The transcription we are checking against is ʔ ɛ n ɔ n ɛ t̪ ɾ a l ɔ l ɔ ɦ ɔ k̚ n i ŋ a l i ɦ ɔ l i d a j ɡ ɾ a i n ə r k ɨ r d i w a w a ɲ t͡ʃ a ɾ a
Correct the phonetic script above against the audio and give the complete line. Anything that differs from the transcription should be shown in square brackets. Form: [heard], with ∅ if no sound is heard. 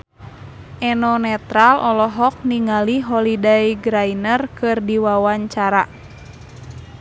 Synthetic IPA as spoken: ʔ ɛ n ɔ n ɛ t̪ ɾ a l ɔ l ɔ ɦ ɔ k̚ n i ŋ a l i ɦ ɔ l i d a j ɡ ɾ a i n ə r k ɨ r d i w a w a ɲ t͡ʃ a ɾ a